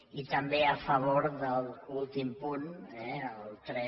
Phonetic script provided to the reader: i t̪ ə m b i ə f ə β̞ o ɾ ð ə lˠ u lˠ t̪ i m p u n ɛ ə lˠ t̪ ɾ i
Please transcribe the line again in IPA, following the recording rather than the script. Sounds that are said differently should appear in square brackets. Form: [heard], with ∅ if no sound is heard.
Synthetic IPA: i t̪ ə m b [e] ə f ə β̞ o ɾ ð ə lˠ u lˠ t̪ i m p u n ɛ ə lˠ t̪ ɾ [ɛ]